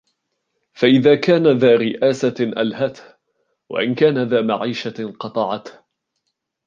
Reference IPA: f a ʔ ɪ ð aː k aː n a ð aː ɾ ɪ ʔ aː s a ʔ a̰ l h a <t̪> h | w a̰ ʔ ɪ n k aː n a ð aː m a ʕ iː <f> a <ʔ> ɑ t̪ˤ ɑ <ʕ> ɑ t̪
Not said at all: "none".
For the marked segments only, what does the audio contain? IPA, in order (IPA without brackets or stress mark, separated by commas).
t̪, ʃ, q, ʕ